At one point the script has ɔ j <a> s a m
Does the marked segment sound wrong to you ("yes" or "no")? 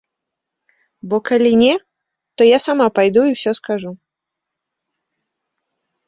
no